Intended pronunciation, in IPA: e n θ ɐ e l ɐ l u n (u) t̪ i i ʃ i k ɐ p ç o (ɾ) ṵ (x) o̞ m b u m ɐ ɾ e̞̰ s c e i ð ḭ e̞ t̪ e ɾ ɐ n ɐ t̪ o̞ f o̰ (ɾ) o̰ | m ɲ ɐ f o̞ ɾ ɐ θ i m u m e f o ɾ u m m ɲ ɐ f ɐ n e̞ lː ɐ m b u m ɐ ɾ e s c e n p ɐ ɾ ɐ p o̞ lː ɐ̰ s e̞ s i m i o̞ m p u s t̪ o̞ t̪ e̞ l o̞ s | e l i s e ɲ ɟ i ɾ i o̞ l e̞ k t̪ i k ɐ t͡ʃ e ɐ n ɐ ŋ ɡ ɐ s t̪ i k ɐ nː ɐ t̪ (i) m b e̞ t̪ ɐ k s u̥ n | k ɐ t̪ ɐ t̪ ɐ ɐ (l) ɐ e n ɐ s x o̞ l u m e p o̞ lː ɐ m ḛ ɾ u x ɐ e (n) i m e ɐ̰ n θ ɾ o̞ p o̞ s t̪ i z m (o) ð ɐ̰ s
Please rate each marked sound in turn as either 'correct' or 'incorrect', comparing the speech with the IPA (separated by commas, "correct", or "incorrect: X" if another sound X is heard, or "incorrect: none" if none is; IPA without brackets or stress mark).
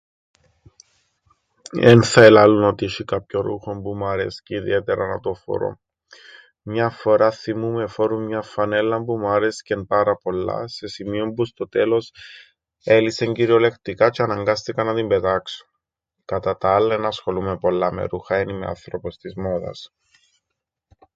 incorrect: o, correct, correct, correct, correct, incorrect: lː, correct, correct